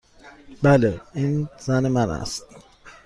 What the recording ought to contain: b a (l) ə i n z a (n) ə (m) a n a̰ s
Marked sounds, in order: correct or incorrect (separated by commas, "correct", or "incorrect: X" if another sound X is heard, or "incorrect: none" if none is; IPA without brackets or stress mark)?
correct, correct, correct